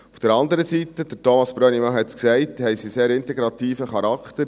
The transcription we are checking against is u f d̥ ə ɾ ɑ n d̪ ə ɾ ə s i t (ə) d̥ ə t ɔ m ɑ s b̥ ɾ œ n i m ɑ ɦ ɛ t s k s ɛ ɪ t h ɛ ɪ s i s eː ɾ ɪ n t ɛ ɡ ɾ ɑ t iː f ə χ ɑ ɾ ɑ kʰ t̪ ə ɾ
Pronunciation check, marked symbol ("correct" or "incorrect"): correct